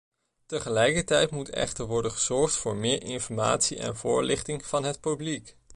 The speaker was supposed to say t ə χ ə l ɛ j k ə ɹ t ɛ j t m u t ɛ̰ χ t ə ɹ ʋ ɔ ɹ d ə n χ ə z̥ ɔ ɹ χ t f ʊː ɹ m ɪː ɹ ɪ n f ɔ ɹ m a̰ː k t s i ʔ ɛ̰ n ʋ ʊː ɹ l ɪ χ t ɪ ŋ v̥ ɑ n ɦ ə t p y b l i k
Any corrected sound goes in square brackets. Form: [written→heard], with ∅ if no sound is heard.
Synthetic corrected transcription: t ə χ ə l ɛ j k ə ɹ t ɛ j t m u t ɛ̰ χ t ə ɹ ʋ ɔ ɹ d ə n χ ə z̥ ɔ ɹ χ t f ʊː ɹ m ɪː ɹ ɪ n f ɔ ɹ m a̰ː [k→∅] t s i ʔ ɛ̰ n [ʋ→v] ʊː ɹ l ɪ χ t ɪ ŋ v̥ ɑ n ɦ ə t p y b l i k